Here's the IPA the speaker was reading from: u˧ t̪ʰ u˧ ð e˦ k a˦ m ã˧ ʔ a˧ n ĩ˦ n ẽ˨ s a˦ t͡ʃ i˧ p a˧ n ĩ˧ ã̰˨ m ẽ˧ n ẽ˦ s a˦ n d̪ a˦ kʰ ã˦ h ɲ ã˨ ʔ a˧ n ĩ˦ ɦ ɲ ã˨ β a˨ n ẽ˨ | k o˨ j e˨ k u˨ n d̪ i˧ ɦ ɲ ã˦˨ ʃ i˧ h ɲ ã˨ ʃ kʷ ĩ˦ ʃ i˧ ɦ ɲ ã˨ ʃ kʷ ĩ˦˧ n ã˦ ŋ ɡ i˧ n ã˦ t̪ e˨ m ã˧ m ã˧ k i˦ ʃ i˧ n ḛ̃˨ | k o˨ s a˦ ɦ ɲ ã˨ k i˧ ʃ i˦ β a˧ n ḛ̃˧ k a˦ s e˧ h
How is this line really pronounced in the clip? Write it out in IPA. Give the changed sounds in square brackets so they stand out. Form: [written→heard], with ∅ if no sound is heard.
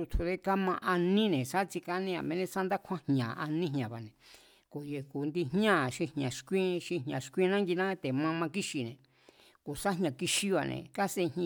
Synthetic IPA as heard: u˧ t̪ʰ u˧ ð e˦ k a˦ m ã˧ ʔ a˧ n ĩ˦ n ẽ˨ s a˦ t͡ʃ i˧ [p→k] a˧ n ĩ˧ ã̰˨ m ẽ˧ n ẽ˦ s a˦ n d̪ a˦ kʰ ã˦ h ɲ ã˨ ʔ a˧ n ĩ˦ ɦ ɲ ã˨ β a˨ n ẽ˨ | k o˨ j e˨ k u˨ n d̪ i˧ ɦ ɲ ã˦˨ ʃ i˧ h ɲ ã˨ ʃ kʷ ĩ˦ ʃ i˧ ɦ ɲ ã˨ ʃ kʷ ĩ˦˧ n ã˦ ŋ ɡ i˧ n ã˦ t̪ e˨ m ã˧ m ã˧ k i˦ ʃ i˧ n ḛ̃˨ | k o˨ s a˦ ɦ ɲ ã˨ k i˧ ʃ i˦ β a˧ n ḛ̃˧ k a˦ s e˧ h